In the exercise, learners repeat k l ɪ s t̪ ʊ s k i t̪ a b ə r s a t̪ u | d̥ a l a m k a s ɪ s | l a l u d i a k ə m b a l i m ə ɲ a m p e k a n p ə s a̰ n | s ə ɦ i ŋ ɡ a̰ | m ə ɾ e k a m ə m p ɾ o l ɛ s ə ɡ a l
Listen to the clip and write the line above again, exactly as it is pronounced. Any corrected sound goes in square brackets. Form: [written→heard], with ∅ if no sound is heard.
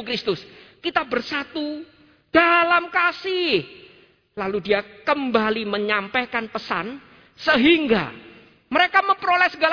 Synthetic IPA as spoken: k [l→ɾ] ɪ s t̪ ʊ s k i t̪ a b ə r s a t̪ u | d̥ a l a m k a s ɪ [s→h] | l a l u d i a k ə m b a l i m ə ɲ a m p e k a n p ə s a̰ n | s ə ɦ i ŋ ɡ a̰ | m ə ɾ e k a m ə m p ɾ o l ɛ s ə ɡ a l